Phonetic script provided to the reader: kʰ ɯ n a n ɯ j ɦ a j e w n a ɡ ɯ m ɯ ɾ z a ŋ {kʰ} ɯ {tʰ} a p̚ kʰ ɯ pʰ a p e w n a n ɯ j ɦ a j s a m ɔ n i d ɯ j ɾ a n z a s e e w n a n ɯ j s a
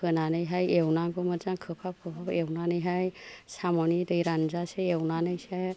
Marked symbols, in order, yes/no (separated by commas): yes, no